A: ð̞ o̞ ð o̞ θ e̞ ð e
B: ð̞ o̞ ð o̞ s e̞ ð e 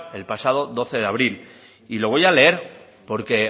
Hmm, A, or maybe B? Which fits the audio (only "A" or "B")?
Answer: A